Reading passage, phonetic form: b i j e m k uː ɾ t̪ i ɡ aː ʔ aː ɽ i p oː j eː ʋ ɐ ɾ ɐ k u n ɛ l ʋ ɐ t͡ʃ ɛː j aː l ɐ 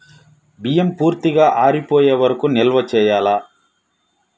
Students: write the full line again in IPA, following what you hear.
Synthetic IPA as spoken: b i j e m p uː ɾ t̪ i ɡ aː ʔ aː ɾ i p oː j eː ʋ ɐ ɾ ɐ k u n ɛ l ʋ ɐ t͡ʃ ɛː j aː l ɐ